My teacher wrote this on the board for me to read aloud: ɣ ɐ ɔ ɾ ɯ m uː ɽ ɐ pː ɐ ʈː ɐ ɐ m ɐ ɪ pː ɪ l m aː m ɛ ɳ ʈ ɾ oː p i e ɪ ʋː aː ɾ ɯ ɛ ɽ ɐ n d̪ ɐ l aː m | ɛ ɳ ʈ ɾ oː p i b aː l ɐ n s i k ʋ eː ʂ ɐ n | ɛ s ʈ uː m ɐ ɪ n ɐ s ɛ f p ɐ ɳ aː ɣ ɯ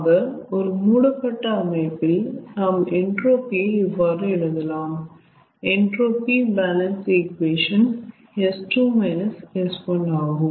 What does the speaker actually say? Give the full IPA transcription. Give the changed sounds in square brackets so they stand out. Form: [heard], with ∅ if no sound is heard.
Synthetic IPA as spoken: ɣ ɐ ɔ ɾ ɯ m uː ɽ ɐ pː ɐ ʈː ɐ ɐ m ɐ ɪ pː ɪ l [n] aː m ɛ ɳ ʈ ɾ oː p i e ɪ ʋː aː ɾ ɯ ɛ ɽ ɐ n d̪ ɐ l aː m | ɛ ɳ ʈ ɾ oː p i b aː l ɐ n s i k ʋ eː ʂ ɐ n | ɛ s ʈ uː m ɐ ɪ n ɐ s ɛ [s] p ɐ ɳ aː ɣ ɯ